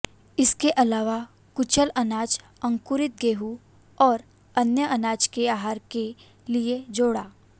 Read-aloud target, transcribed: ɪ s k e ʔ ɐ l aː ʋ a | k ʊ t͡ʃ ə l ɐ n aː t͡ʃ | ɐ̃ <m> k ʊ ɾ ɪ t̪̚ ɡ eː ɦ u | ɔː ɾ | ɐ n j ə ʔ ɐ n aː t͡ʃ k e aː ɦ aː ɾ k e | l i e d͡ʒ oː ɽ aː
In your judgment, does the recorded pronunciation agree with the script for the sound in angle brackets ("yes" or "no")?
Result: no